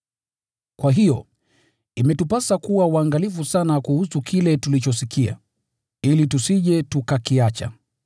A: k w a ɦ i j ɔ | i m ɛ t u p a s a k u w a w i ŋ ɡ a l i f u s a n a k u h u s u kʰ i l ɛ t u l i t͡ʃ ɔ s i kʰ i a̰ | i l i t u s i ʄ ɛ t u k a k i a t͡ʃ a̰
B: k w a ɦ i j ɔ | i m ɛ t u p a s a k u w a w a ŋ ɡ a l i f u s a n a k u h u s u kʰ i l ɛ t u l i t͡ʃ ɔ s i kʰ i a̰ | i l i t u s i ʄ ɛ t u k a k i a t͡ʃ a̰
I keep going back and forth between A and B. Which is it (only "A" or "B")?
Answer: B